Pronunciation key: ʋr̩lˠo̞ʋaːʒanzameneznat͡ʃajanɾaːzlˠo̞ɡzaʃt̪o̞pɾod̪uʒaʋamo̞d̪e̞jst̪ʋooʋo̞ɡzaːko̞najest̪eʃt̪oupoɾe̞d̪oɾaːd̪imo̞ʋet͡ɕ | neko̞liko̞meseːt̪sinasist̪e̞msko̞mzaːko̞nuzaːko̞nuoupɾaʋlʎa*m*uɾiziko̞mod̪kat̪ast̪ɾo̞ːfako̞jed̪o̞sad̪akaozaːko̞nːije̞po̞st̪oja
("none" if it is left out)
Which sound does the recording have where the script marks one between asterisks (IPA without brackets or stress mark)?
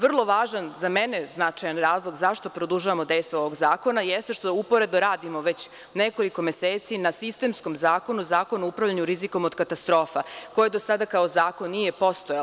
ɲ